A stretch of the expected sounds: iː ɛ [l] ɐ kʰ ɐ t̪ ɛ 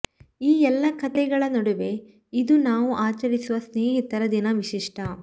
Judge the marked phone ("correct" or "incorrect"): incorrect